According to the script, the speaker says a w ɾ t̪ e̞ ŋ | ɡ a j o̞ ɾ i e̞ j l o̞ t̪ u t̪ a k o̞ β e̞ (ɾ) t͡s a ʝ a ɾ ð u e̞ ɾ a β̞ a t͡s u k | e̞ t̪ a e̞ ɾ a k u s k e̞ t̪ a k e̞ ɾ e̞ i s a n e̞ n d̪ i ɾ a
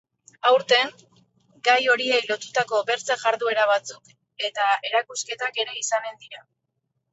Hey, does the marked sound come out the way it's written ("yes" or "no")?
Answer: yes